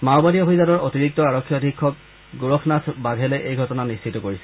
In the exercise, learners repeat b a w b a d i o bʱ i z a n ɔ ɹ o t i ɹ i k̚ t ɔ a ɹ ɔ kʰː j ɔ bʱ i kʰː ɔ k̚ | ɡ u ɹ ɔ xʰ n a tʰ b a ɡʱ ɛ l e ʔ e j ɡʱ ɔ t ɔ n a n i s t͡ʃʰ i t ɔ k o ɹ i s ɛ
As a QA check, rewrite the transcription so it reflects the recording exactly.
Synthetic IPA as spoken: m a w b a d i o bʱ i z a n ɔ ɹ o t i ɹ i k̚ t ɔ a ɹ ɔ kʰː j ɔ dʱ i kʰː ɔ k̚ | ɡ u ɹ ɔ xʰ n a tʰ b a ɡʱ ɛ l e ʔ e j ɡʱ ɔ t ɔ n a n i s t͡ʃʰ i t ɔ k o ɹ i s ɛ